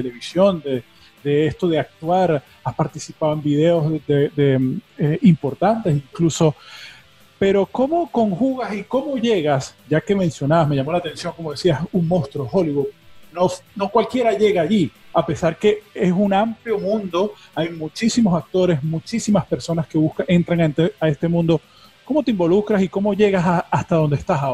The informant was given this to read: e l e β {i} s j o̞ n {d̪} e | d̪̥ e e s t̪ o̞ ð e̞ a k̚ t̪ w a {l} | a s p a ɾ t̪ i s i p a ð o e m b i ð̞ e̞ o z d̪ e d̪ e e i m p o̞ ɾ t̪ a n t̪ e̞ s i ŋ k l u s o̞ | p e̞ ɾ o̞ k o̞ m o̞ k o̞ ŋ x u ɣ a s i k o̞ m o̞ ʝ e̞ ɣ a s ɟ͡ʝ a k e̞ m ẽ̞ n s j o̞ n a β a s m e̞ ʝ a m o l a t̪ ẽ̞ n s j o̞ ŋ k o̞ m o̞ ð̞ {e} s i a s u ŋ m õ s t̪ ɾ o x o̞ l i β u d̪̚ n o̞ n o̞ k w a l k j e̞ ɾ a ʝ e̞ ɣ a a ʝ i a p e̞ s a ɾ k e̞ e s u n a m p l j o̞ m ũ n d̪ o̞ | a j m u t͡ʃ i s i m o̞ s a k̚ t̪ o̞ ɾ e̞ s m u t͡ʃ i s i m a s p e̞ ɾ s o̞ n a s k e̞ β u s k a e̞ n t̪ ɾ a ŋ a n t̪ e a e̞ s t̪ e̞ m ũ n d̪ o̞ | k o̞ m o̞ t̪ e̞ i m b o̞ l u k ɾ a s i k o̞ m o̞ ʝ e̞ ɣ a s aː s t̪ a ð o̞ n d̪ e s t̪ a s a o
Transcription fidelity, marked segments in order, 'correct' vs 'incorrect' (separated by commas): correct, correct, incorrect, correct